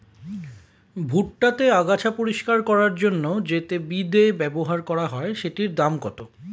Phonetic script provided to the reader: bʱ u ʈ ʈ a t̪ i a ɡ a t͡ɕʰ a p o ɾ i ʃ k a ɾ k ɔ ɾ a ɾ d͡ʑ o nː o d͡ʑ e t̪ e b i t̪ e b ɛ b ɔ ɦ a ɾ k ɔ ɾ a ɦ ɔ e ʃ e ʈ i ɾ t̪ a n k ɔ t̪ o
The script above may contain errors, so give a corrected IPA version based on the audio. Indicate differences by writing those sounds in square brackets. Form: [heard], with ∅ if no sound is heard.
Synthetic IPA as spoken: bʱ u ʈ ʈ a t̪ [e] a ɡ a t͡ɕʰ a p o ɾ i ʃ k a ɾ k ɔ ɾ a ɾ d͡ʑ o nː o d͡ʑ e t̪ e b i [d̪] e b ɛ b [o] ɦ a ɾ k ɔ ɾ a ɦ ɔ e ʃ e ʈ i ɾ [d̪] a [m] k ɔ t̪ o